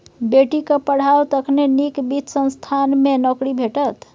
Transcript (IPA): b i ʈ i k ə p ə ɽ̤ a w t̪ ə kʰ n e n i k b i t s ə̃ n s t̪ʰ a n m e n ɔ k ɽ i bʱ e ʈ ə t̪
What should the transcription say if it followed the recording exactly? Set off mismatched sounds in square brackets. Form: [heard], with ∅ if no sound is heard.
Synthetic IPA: b [e] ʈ i k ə p ə ɽ̤ a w t̪ ə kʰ n e n i k b i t s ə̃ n s t̪ʰ a n m e n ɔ k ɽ i bʱ e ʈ ə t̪

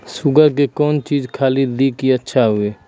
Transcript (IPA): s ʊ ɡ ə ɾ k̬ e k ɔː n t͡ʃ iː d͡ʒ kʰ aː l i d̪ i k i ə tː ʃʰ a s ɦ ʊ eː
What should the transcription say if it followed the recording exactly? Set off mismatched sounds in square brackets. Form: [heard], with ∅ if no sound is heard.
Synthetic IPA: s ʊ ɡ ə ɾ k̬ e k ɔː n t͡ʃ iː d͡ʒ kʰ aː l i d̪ i k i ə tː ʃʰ a [∅] ɦ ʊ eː

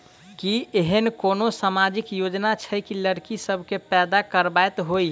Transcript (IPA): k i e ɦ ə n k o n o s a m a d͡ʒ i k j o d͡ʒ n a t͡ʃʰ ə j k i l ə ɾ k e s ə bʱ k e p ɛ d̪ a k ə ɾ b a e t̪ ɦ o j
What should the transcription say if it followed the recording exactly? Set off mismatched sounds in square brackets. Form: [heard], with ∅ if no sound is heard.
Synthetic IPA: k i e ɦ ə n k o n o s a m a d͡ʒ i k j o d͡ʒ n a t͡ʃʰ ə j k i l ə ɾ k [i] s ə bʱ k e p ɛ d̪ a k ə ɾ b a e t̪ ɦ o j

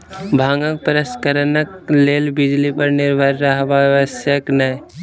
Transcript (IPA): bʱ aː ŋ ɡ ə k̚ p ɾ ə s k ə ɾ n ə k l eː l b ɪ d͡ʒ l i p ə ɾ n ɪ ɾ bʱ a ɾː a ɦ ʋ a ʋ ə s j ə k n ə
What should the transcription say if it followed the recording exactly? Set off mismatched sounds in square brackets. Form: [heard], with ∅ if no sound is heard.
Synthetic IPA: bʱ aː ŋ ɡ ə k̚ p ɾ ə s k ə ɾ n ə k l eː l b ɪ d͡ʒ l i p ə ɾ n ɪ ɾ bʱ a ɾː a ɦ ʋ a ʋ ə s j ə k n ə

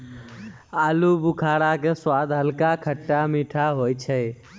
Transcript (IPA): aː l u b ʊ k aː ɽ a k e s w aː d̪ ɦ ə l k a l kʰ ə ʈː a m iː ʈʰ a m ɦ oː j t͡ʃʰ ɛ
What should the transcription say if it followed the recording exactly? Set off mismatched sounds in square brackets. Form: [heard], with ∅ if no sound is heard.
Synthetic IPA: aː l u b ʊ [kʰ] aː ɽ a k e s w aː d̪ ɦ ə l k a [∅] kʰ ə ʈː a m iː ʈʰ a [∅] ɦ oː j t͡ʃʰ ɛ

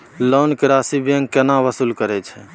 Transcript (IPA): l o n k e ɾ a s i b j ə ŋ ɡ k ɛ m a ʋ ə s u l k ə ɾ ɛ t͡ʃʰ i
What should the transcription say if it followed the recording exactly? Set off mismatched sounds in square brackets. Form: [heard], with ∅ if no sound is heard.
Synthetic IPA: l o n k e ɾ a s i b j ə ŋ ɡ k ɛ [n] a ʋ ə s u l k ə ɾ ɛ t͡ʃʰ [ɛ]

